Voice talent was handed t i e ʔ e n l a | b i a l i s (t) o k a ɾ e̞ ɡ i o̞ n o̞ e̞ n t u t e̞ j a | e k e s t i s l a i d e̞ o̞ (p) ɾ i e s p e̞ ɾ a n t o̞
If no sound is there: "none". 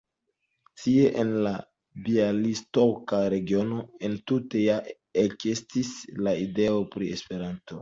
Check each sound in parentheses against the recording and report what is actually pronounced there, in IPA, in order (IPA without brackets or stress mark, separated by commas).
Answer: t, p